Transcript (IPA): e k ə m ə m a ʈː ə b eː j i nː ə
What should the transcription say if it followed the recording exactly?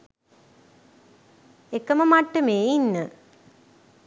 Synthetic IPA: e k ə m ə m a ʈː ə m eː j i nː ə